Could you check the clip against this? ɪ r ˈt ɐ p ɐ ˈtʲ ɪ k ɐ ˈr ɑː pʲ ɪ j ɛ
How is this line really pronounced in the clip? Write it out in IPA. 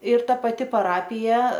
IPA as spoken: ɪ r ˈt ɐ p ɐ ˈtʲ ɪ p ɐ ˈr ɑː pʲ ɪ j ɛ